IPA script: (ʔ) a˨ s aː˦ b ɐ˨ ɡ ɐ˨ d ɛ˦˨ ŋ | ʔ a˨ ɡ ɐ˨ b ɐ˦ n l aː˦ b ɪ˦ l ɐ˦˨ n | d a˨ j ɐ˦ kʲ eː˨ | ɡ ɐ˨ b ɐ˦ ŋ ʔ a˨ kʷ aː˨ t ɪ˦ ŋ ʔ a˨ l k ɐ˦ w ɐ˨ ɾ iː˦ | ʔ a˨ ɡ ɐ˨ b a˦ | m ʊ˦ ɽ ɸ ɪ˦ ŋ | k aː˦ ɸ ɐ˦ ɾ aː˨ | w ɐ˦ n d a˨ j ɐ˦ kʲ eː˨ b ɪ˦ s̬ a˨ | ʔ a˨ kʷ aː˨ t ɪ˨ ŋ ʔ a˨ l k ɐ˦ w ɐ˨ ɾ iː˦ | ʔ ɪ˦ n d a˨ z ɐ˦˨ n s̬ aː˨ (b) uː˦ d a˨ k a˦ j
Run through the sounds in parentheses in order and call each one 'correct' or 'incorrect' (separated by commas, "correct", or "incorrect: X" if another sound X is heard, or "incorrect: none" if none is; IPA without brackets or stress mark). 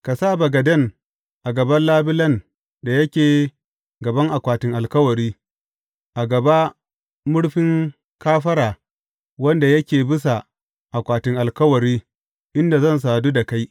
incorrect: k, incorrect: d